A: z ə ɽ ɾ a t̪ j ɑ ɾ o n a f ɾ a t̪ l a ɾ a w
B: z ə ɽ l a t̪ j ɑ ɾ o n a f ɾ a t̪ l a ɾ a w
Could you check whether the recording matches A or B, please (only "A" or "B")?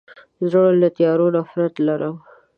B